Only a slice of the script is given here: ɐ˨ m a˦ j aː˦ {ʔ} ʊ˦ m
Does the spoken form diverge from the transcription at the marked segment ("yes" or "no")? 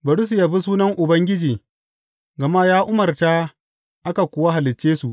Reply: no